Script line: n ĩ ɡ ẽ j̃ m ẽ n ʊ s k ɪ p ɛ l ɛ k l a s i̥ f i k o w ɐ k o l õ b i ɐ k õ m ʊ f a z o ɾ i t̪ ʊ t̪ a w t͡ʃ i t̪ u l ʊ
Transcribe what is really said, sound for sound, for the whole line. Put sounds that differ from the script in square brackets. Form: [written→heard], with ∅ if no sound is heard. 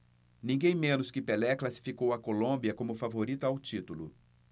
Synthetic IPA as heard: n ĩ ɡ ẽ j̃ m ẽ n ʊ s k ɪ p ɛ l ɛ k l a s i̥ f i k o w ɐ k o l õ b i ɐ k õ m ʊ f a [z→v] o ɾ i t̪ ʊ [t̪→∅] a w t͡ʃ i t̪ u l ʊ